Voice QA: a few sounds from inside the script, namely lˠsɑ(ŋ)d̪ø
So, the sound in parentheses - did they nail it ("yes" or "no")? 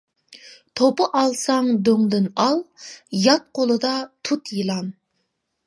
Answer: yes